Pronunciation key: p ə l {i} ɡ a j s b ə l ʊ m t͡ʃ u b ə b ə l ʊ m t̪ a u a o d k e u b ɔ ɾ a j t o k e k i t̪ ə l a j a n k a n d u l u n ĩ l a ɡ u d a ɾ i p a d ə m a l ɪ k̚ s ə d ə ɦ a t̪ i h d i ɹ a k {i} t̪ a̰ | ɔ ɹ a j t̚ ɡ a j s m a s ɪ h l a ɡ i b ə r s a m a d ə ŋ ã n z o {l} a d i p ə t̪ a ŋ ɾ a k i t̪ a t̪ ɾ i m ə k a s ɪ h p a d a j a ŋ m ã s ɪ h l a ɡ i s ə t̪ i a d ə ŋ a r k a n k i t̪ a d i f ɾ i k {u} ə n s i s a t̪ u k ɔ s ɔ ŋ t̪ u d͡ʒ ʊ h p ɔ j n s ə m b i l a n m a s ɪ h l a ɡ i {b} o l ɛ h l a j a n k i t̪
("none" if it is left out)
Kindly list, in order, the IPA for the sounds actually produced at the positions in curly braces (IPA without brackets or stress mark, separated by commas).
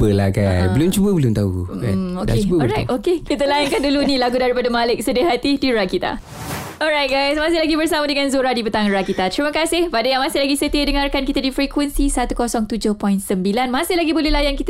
a, i, ɾ, w, b